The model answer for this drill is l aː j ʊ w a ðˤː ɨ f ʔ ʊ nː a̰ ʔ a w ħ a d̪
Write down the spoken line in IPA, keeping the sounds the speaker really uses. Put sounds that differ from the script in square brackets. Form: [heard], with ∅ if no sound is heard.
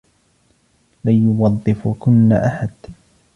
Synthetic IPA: l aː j ʊ w [ɑ] ðˤː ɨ f [k] ʊ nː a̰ ʔ a [∅] ħ a d̪

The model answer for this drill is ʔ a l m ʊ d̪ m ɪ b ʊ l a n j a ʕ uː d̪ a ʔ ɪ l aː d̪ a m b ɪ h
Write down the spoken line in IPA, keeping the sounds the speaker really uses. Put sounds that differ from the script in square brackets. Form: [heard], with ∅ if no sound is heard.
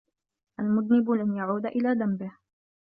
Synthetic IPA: ʔ a l m ʊ d̪ [n] ɪ b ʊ l a n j a ʕ uː d̪ a ʔ ɪ l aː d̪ a m b ɪ h

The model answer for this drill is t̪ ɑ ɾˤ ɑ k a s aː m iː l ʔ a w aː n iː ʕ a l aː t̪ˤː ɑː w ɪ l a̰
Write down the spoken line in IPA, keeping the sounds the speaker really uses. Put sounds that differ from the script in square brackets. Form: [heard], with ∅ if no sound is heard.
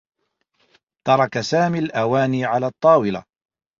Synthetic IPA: t̪ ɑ ɾˤ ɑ k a s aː m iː l ʔ a w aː n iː ʕ a l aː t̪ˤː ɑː w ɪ l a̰

